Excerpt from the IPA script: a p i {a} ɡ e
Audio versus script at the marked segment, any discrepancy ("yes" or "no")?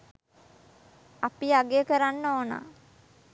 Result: no